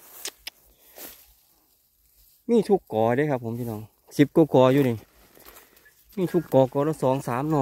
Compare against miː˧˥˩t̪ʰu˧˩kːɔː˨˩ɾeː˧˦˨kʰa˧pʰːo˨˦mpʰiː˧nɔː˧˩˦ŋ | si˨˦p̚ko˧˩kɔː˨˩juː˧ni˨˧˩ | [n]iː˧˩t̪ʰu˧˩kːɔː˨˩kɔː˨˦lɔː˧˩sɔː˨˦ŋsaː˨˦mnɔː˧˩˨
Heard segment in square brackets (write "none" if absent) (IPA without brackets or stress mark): m